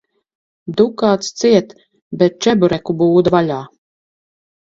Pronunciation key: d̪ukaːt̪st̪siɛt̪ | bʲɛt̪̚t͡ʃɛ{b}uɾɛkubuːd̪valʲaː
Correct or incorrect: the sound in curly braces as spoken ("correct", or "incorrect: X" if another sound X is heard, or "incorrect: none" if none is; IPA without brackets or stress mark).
correct